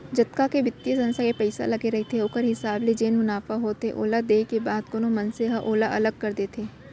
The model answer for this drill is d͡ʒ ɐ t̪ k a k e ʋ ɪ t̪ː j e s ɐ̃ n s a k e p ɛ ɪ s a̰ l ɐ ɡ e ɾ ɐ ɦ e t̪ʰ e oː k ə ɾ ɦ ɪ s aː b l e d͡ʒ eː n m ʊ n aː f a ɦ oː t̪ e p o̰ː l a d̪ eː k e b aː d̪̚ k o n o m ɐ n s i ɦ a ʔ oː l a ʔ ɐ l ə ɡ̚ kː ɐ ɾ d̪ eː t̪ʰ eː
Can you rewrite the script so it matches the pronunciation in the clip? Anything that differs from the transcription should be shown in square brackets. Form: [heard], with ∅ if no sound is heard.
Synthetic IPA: d͡ʒ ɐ t̪ k a k e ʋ ɪ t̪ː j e s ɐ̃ n s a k e p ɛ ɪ s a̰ l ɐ ɡ e ɾ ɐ ɦ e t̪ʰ e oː k ə ɾ ɦ ɪ s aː b l e d͡ʒ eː n m ʊ n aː f a ɦ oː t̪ e [ʔ] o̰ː l a d̪ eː k e b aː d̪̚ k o n o m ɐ n s [e] ɦ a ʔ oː l a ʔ ɐ l ə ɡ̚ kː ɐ ɾ d̪ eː t̪ʰ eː

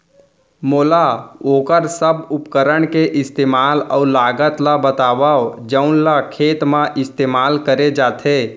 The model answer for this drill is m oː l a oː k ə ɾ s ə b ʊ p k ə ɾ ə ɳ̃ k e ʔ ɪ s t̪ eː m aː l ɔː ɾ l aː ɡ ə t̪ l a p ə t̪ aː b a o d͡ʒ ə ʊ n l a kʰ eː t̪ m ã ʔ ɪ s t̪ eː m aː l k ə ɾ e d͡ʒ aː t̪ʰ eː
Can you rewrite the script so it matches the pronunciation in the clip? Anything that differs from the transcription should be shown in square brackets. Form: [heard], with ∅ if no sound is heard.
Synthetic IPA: m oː l a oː k ə ɾ s ə b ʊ p k ə ɾ ə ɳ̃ k e ʔ ɪ s t̪ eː m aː l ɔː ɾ l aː ɡ ə t̪ l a [b] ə t̪ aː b a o d͡ʒ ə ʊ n l a kʰ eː t̪ m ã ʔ ɪ s t̪ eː m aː l k ə ɾ e d͡ʒ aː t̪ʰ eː

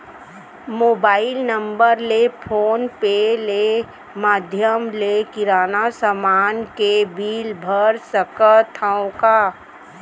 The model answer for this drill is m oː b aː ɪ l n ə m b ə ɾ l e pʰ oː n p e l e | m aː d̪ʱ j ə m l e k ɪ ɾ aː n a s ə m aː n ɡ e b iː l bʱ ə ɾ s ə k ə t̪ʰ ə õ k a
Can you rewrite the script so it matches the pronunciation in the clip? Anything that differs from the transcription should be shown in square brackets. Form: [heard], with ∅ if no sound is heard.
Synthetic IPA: m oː b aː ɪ l n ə m b ə ɾ l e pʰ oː n p e l e | m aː d̪ʱ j ə m l e k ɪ ɾ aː n a s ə m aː n [k] e b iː l bʱ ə ɾ s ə k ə t̪ʰ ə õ k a

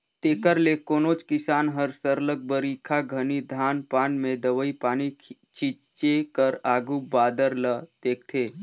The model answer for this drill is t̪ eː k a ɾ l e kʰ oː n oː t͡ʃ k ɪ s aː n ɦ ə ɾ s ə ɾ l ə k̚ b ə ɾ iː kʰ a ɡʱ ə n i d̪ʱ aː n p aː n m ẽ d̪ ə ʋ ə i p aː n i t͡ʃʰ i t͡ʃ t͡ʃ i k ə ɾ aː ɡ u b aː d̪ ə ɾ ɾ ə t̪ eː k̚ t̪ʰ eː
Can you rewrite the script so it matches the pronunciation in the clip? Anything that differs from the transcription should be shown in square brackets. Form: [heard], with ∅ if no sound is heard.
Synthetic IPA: t̪ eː k [ə] ɾ l e [k] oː n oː t͡ʃ k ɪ s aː n ɦ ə ɾ s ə ɾ l ə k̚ b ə ɾ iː kʰ a ɡʱ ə n i d̪ʱ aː n p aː n m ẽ d̪ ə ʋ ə i p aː n i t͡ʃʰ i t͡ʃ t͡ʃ [e] k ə ɾ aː ɡ u b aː d̪ ə ɾ [l] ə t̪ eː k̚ t̪ʰ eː

